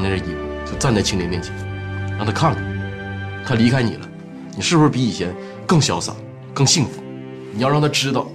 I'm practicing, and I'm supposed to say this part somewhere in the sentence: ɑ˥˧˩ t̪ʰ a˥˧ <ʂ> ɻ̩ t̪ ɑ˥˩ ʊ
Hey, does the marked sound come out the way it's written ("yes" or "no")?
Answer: no